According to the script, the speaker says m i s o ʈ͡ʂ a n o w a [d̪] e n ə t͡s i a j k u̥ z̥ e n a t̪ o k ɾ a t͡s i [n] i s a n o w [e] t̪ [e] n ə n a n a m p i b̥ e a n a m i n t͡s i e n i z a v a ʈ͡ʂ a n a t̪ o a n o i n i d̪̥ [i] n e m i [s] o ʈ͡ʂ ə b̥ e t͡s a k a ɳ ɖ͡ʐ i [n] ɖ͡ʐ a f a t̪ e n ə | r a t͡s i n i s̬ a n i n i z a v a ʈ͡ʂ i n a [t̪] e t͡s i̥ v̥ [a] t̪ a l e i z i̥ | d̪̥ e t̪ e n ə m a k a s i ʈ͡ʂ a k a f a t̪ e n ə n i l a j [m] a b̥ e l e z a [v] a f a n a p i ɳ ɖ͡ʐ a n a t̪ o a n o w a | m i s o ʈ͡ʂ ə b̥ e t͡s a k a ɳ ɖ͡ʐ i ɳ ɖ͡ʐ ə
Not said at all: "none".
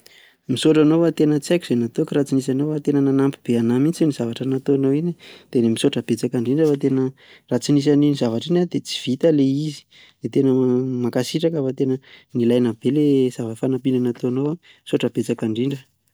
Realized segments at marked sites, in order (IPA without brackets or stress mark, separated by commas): t̪, n, a, e, e, s, ɳ, d̪, i, n, v